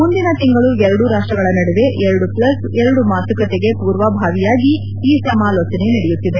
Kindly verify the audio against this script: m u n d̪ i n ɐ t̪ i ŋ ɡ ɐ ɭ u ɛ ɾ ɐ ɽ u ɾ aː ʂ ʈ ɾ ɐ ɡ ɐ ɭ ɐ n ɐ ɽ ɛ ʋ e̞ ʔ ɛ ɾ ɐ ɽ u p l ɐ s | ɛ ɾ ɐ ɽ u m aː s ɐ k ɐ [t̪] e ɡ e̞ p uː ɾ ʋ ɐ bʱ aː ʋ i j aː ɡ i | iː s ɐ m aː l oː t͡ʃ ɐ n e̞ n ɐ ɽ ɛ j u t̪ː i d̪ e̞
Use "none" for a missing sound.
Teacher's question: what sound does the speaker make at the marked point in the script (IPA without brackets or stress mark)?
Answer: t̪